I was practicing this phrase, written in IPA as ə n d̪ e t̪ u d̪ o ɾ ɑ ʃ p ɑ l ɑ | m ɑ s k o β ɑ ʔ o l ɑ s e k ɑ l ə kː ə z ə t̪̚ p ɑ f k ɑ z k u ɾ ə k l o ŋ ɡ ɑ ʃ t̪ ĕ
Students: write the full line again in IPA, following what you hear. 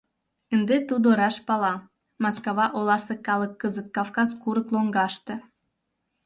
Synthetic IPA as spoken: ə n d̪ e t̪ u d̪ o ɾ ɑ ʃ p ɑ l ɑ | m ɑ s k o β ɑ ʔ o l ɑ s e k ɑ l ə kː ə z ə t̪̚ k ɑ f k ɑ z k u ɾ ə k l o ŋ ɡ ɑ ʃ t̪ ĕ